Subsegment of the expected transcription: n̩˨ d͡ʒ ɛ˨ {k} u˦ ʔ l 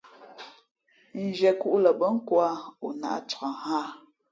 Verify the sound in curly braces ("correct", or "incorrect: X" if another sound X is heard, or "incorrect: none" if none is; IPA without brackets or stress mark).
correct